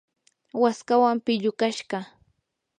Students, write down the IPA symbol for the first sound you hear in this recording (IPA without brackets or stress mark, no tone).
w